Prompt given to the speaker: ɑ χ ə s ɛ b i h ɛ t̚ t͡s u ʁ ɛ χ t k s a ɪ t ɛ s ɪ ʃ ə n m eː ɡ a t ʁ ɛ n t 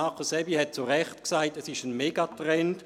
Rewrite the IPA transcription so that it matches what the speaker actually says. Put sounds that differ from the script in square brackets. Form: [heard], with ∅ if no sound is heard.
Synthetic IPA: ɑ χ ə s ɛ b i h ɛ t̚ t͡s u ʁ ɛ χ t k s a ɪ t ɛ s ɪ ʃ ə n m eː ɡ a t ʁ ɛ n t